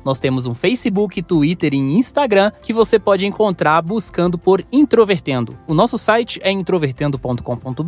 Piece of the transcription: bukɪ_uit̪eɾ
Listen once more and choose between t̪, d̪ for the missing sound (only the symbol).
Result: t̪